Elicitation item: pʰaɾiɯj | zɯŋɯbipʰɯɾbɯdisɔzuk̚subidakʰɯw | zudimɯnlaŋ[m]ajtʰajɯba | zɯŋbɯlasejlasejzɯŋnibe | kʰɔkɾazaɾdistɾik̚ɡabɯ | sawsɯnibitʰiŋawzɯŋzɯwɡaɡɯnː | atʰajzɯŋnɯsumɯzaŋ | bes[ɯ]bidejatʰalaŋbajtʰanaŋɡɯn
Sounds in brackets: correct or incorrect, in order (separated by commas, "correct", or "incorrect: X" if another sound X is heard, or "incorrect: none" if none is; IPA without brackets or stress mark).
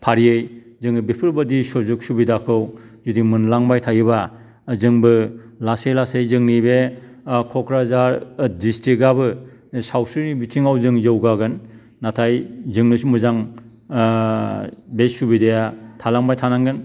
incorrect: b, incorrect: u